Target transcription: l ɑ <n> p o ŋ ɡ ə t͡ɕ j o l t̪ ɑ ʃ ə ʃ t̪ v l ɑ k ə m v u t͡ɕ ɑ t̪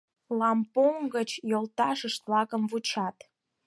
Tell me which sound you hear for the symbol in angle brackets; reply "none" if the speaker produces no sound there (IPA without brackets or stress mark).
m